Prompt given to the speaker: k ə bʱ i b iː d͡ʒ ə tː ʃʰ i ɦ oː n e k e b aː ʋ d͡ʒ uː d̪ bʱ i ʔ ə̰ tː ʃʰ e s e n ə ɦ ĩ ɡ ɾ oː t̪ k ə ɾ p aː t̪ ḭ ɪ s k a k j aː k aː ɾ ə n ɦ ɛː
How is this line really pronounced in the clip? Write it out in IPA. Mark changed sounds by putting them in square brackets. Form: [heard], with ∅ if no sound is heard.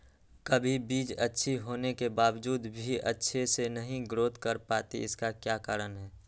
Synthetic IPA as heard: k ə bʱ i b iː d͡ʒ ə tː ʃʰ i ɦ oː n e k e b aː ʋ d͡ʒ uː d̪ bʱ i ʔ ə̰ tː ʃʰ e s e n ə ɦ ĩ ɡ ɾ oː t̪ k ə ɾ p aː t̪ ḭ ɪ s k a k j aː k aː ɾ ə n ɦ ɛː